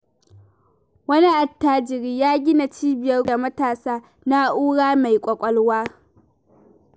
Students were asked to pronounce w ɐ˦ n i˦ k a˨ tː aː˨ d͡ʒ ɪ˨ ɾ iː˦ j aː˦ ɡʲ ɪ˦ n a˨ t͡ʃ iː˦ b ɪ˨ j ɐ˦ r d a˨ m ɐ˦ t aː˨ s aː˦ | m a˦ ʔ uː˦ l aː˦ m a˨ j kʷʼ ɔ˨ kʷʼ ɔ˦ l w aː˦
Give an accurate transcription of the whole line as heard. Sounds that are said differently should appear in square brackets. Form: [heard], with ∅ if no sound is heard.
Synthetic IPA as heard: w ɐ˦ n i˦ [ʔ] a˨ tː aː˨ d͡ʒ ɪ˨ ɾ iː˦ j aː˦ ɡʲ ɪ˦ n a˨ t͡ʃ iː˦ b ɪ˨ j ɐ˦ r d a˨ m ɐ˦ t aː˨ s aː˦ | [n] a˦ ʔ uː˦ [ɽ] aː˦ m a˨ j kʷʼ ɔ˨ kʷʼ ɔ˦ l w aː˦